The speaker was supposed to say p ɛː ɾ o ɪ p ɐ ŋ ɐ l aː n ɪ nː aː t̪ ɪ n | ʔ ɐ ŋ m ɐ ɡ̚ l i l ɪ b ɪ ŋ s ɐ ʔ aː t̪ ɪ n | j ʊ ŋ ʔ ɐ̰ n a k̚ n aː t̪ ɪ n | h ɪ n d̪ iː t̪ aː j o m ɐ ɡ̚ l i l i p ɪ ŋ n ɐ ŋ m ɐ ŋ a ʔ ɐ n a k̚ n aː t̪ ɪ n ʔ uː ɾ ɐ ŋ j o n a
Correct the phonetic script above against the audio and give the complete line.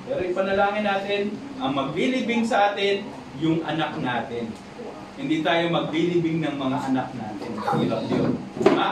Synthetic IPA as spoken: p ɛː ɾ o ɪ p ɐ n ɐ l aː ŋ ɪ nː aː t̪ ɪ n | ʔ ɐ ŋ m ɐ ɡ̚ l i l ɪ b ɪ ŋ s ɐ ʔ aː t̪ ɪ n | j ʊ ŋ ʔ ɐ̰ n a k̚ n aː t̪ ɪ n | h ɪ n d̪ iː t̪ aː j o m ɐ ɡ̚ l i l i b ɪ ŋ n ɐ ŋ m ɐ ŋ a ʔ ɐ n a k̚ n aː t̪ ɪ n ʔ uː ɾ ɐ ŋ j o n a